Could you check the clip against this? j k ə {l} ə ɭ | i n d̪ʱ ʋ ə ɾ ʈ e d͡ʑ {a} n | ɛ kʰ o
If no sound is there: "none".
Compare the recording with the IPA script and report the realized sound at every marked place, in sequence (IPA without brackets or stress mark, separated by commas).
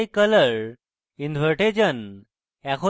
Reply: l, ə